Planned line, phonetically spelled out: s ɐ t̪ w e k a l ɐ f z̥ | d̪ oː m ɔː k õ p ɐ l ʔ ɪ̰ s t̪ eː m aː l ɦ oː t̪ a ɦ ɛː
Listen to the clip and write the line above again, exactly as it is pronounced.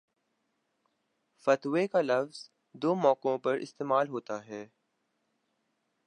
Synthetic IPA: f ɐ t̪ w e k a l ɐ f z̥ | d̪ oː m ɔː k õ p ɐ ɾ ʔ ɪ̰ s t̪ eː m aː l ɦ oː t̪ a ɦ ɛː

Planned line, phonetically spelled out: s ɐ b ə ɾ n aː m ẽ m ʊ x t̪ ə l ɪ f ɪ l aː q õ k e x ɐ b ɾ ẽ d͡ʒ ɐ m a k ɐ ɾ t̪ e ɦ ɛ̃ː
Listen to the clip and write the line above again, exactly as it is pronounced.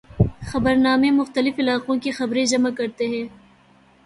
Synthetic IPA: x ɐ b ə ɾ n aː m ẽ m ʊ x t̪ ə l ɪ f ɪ l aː q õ k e x ɐ b ɾ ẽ d͡ʒ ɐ m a k ɐ ɾ t̪ e ɦ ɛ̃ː

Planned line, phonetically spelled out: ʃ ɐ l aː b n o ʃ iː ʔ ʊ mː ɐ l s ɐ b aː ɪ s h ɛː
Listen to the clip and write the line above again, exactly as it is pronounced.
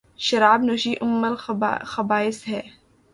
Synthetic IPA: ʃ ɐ ɾ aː b n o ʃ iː ʔ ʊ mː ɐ l x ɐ b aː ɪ s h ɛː

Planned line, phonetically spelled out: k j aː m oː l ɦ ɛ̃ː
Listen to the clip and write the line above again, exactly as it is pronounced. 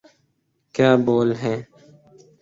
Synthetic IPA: k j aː b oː l ɦ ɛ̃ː

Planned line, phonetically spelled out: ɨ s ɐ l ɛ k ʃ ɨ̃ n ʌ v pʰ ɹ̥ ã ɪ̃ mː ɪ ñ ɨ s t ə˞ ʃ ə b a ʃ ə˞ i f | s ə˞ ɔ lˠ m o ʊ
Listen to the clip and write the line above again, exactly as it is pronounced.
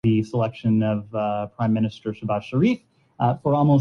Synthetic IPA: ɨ s ə l ɛ k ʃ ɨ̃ n ʌ v pʰ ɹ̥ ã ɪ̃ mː ɪ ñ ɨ s t ə˞ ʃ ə b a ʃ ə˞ i f | f ə˞ ɔ lˠ m o ʊ

